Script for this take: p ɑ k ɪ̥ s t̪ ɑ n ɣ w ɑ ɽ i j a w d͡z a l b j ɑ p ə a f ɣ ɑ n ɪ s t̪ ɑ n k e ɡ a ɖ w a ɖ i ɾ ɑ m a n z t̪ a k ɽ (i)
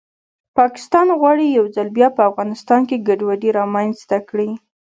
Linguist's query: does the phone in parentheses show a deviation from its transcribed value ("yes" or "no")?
no